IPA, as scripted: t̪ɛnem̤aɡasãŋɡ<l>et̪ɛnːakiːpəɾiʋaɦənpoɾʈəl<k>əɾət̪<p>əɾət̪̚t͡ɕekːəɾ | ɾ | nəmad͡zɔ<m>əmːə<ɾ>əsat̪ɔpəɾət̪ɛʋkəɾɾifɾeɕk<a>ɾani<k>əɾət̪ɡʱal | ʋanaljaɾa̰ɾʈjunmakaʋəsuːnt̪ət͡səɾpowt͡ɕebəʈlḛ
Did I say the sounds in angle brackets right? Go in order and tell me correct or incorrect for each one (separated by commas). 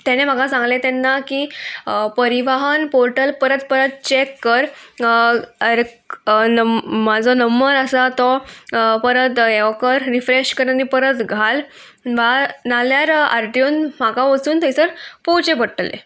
correct, incorrect, correct, incorrect, correct, incorrect, incorrect